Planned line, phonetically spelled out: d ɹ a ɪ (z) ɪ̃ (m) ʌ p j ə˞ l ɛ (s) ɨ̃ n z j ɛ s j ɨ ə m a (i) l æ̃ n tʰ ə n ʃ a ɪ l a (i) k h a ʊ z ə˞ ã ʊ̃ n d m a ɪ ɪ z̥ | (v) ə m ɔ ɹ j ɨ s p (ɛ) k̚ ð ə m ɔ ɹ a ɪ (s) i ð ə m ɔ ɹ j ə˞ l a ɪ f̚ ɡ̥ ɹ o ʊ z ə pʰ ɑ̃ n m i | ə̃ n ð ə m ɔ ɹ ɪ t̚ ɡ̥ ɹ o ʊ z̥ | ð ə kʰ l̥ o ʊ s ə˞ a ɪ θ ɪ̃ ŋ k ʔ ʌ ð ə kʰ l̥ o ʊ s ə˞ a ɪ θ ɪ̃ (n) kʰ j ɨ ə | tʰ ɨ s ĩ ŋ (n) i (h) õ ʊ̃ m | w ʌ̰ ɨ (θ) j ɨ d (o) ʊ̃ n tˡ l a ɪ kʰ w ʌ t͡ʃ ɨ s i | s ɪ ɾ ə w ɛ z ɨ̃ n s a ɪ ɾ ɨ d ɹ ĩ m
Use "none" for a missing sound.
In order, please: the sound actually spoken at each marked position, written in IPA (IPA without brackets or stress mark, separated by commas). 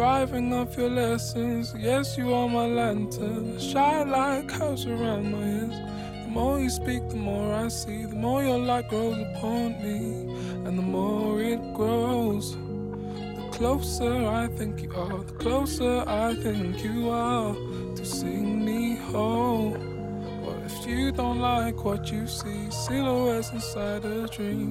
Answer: v, ŋ, s, ɪ, ɪ, ð, i, s, ŋ, m, h, f, õ